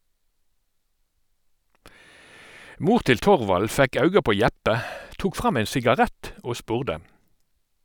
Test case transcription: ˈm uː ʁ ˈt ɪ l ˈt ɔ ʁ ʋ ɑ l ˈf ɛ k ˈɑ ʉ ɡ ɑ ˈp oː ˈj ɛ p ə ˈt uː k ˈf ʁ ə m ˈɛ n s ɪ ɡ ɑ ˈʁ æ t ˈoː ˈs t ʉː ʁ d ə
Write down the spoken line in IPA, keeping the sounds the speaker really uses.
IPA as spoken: ˈm uː ʁ ˈt ɪ l ˈt ɔ ʁ ʋ ɑ l ˈf ɛ k ˈɑ ʉ ɡ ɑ ˈp oː ˈj ɛ p ə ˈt uː k ˈf ʁ ɑ m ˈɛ n s ɪ ɡ ɑ ˈʁ ɛ t ˈoː ˈs p ʉː ʁ d ə

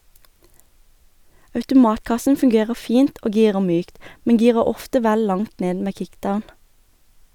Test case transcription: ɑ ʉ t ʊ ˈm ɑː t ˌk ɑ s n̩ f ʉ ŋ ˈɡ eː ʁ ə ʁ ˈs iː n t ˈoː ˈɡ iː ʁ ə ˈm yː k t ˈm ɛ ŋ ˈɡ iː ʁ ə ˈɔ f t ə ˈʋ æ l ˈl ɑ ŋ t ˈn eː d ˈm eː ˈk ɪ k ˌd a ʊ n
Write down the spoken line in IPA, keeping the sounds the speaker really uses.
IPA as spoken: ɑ ʉ t ʊ ˈm ɑː t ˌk ɑ s n̩ f ʉ ŋ ˈɡ eː ʁ ə ʁ ˈf iː n t ˈoː ˈɡ iː ʁ ə ˈm yː k t ˈm ɛ ŋ ˈɡ iː ʁ ə ˈɔ f t ə ˈʋ æ l ˈl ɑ ŋ t ˈn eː d ˈm eː ˈk ɪ k ˌd a ʊ n

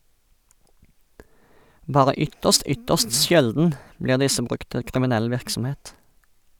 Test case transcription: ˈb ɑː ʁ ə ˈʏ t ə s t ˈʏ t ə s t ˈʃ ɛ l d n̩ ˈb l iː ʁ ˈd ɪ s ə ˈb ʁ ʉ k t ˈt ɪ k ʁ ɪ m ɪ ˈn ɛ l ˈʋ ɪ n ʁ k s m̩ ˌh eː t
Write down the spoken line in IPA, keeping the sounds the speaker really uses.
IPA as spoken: ˈb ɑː ʁ ə ˈʏ t ə s t ˈʏ t ə s t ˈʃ ɛ l d n̩ ˈb l iː ʁ ˈd ɪ s ə ˈb ʁ ʉ k t ˈt ɪ k ʁ ɪ m ɪ ˈn ɛ l ˈʋ ɪ ʁ k s m̩ ˌh eː t

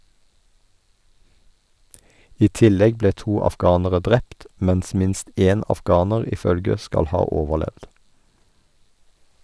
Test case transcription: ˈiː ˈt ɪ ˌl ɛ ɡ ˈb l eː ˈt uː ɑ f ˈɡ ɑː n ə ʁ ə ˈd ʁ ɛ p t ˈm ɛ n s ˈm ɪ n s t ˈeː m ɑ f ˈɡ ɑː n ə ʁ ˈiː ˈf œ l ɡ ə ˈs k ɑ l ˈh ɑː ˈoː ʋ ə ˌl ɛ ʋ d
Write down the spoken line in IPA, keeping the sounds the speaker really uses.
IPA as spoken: ˈiː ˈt ɪ ˌl ɛ ɡ ˈb l eː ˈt uː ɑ f ˈɡ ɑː n ə ʁ ə ˈd ʁ ɛ p t ˈm ɛ n s ˈm ɪ n s t ˈeː n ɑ f ˈɡ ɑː n ə ʁ ˈiː ˈf œ l ɡ ə ˈs k ɑ l ˈh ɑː ˈoː ʋ ə ˌl ɛ ʋ d

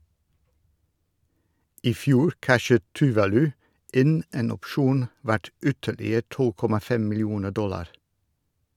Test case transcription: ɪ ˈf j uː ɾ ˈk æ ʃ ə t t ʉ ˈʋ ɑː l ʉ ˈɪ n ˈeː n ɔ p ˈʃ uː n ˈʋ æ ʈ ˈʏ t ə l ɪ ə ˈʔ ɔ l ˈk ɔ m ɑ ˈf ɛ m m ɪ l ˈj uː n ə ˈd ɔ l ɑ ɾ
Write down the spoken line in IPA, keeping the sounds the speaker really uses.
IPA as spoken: ɪ ˈf j uː ɾ ˈk æ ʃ ə t t ʉ ˈʋ ɑː l ʉ ˈɪ n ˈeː n ɔ p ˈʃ uː n ˈʋ æ ʈ ˈʏ t ə l ɪ ə ˈt ɔ l ˈk ɔ m ɑ ˈf ɛ m m ɪ l ˈj uː n ə ˈd ɔ l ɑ ɾ

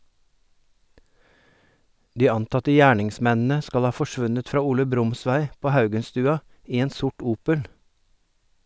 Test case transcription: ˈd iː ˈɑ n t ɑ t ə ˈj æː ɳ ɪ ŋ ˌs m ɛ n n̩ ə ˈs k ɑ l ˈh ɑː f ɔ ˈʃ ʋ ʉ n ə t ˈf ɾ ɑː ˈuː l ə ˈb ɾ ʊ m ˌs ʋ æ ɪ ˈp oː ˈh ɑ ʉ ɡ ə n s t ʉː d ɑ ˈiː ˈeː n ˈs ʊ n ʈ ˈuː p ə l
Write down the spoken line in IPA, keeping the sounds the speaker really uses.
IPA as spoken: ˈd iː ˈɑ n t ɑ t ə ˈj æː ɳ ɪ ŋ ˌs m ɛ n n̩ ə ˈs k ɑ l ˈh ɑː f ɔ ˈʃ ʋ ʉ n ə t ˈf ɾ ɑː ˈuː l ə ˈb ɾ ʊ m ˌs ʋ æ ɪ ˈp oː ˈh ɑ ʉ ɡ ə n s t ʉː ɑ ˈiː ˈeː n ˈs ʊ ʈ ˈuː p ə l

